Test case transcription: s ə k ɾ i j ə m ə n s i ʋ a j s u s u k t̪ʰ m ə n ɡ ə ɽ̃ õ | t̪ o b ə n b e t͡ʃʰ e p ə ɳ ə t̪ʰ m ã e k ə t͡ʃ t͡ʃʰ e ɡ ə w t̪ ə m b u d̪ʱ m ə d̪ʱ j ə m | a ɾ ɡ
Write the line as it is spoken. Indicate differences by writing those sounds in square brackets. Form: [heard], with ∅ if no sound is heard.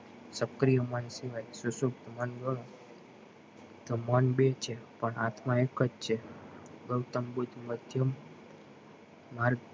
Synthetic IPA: s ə k ɾ i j ə m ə n s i ʋ a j s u s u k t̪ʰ m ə n ɡ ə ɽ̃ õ | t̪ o [m] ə n b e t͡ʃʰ e p ə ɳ [a] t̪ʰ m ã e k ə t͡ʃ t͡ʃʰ e ɡ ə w t̪ ə m b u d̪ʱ m ə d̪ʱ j ə m | a ɾ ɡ